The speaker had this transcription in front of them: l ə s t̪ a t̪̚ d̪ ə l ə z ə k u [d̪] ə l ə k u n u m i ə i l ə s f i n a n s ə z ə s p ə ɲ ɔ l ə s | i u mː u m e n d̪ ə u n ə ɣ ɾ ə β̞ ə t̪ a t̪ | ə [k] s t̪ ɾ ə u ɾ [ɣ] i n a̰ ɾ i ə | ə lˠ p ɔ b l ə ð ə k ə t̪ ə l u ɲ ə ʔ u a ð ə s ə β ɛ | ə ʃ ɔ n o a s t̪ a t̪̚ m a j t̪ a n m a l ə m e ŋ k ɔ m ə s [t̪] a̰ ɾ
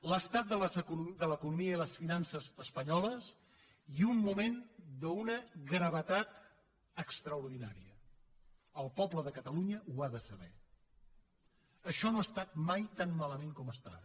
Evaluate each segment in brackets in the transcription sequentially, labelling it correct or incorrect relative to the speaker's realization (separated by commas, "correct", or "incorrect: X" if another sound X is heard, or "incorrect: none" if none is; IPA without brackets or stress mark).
correct, correct, incorrect: ð, correct